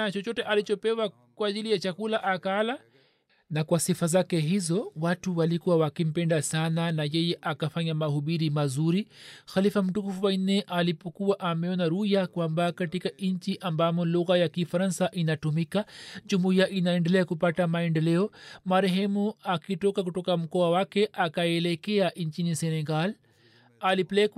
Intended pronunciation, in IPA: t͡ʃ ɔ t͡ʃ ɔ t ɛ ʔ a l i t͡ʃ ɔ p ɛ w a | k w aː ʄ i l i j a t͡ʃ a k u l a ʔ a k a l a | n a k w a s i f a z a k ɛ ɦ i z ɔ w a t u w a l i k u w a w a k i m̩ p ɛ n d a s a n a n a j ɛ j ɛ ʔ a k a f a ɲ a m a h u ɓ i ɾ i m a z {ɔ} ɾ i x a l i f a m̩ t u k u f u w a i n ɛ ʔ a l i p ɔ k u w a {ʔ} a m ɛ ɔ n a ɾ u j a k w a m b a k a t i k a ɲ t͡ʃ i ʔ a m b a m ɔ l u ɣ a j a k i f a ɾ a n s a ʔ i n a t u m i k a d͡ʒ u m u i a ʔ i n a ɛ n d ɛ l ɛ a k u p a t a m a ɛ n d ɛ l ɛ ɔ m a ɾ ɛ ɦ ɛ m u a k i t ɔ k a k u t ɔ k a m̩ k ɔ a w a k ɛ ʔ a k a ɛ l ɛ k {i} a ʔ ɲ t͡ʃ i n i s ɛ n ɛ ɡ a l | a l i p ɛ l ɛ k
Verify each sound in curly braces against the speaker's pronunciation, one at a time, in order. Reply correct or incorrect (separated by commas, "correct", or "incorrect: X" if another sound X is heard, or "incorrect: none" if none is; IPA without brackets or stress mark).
incorrect: u, correct, incorrect: ɛ